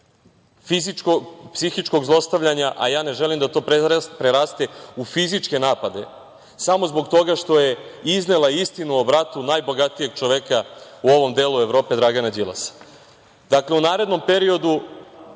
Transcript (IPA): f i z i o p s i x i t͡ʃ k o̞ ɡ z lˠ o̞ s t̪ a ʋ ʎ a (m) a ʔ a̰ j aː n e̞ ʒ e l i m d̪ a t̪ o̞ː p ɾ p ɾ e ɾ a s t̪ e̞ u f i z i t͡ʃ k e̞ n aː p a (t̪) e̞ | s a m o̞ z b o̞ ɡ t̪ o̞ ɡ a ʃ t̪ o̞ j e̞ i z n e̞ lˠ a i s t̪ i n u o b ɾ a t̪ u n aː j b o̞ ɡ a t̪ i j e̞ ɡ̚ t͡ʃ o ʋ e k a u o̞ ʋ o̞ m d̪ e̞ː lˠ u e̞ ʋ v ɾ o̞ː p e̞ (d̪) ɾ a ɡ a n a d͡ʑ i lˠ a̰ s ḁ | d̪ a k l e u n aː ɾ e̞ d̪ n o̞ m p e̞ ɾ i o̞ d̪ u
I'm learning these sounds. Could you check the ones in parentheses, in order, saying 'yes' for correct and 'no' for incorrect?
no, no, yes

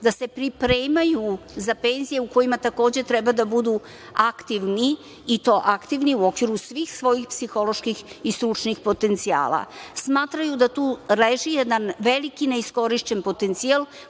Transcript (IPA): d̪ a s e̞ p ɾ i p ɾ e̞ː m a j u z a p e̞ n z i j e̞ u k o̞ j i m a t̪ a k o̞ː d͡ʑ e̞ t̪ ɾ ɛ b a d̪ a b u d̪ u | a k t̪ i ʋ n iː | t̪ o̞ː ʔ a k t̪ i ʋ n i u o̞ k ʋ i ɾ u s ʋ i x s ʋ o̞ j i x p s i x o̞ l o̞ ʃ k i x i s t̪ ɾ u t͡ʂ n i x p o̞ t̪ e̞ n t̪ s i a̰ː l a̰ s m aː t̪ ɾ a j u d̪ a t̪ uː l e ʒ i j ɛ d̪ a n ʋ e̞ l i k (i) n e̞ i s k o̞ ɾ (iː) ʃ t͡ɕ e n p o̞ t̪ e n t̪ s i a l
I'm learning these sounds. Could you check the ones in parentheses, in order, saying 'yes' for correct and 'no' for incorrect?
yes, no

